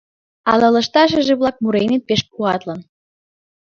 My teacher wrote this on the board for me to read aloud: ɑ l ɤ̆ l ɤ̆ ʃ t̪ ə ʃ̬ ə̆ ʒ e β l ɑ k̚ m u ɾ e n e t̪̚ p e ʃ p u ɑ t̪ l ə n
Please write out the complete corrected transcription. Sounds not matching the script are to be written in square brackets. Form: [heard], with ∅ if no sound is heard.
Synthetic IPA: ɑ l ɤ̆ l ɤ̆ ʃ t̪ [ɑ] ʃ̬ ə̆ ʒ e β l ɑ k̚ m u ɾ e n e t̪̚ p e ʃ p u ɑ t̪ l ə n